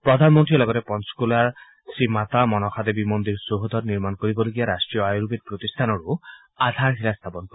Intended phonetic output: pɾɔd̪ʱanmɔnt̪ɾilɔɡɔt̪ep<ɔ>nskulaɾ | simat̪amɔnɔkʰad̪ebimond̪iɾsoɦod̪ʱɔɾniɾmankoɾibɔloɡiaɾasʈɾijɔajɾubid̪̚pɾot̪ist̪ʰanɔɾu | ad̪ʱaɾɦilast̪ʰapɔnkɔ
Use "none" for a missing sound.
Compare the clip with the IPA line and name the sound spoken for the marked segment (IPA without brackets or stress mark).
ɔ